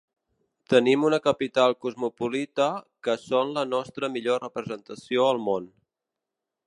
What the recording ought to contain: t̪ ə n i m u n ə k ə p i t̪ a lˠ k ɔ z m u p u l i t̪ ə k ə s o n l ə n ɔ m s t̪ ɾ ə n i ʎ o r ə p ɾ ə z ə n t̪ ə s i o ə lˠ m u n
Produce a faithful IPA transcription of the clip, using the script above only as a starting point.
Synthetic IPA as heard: t̪ ə n i m u n ə k ə p i t̪ a lˠ k u z m u p u l i t̪ ə k ə s o n l ə n ɔ s t̪ ɾ ə m i ʎ o r ə p ɾ ə z ə n t̪ ə s i o ə lˠ m o n